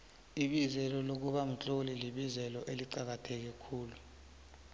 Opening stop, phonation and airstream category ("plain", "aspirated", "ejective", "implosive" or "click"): implosive